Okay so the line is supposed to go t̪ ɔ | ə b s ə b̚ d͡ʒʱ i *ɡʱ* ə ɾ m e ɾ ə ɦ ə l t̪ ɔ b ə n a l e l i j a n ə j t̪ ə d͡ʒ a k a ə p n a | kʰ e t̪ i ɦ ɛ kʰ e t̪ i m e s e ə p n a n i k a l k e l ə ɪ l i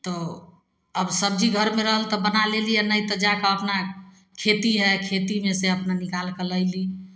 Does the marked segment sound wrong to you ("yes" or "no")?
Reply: no